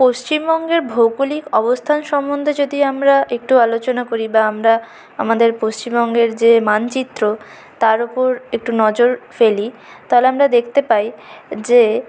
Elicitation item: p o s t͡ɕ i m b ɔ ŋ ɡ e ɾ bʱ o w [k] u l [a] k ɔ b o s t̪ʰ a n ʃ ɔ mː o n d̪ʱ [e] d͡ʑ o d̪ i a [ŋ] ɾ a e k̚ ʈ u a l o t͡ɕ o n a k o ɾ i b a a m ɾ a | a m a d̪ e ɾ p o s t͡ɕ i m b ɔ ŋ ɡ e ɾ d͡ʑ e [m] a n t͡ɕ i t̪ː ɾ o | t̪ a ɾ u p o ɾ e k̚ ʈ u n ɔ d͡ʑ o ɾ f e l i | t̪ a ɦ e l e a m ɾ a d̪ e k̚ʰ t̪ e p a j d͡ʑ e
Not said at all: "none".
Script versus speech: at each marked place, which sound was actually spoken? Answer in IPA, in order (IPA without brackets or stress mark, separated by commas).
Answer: k, i, e, m, m